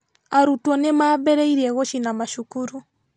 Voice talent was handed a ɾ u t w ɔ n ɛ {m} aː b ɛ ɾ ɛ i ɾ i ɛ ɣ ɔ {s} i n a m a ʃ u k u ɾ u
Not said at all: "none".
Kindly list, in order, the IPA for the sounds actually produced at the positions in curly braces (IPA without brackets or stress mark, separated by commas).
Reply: m, ʃ